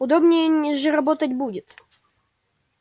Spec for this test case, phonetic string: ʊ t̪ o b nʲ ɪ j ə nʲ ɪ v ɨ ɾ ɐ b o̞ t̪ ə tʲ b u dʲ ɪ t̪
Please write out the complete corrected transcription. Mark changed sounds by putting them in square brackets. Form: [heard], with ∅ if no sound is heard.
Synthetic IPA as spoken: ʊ [d̪] o b nʲ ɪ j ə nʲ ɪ [ʐ] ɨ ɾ ɐ b o̞ t̪ ə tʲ b u dʲ ɪ t̪